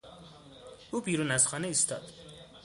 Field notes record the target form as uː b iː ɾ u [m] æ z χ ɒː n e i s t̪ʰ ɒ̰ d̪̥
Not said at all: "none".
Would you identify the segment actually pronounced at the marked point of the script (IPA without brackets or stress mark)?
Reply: n